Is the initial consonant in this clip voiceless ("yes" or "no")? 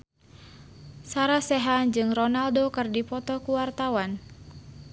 yes